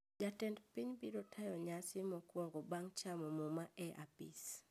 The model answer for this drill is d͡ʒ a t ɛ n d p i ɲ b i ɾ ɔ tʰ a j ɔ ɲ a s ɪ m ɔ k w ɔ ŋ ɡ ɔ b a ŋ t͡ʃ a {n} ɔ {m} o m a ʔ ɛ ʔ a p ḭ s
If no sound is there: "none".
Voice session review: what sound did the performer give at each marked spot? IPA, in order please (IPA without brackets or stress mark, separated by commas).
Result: m, m